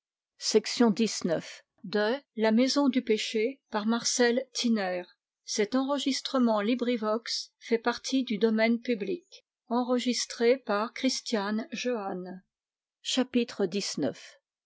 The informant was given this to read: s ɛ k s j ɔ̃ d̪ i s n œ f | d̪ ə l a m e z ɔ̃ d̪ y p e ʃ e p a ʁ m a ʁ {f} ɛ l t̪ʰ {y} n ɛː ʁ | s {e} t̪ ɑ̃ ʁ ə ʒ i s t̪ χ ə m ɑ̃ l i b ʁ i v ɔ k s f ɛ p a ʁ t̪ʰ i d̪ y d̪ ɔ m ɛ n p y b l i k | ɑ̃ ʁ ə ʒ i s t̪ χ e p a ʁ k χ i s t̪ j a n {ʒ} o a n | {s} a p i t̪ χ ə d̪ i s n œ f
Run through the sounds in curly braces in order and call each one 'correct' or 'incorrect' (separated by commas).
incorrect, incorrect, incorrect, correct, incorrect